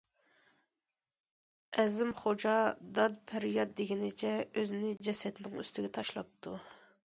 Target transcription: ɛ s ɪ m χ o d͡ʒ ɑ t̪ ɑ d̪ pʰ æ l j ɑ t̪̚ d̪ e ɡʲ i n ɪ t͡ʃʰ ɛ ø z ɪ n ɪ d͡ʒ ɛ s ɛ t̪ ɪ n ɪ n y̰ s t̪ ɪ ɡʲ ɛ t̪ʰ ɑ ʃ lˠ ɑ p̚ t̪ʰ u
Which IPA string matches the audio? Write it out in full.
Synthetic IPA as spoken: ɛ z ɪ m χ o d͡ʒ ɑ d̪ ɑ d̪ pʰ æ ɾ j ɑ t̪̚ d̪ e ɡʲ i n ɪ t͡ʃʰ ɛ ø z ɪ n ɪ d͡ʒ ɛ s ɛ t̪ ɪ n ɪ ŋ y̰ s t̪ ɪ ɡʲ ɛ t̪ʰ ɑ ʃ lˠ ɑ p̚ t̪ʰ u